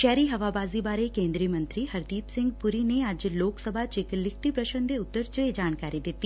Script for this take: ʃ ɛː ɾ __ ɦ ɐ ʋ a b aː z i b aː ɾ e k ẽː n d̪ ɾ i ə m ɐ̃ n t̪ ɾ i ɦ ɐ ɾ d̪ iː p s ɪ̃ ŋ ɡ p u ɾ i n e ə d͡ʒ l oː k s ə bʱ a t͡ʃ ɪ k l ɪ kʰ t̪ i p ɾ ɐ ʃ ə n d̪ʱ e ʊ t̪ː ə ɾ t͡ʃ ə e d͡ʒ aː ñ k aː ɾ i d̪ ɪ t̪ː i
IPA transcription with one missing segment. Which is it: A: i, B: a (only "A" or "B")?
A